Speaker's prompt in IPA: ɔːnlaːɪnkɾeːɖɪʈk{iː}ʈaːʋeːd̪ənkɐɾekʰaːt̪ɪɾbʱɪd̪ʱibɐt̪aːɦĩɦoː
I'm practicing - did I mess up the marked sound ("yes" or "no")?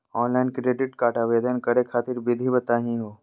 yes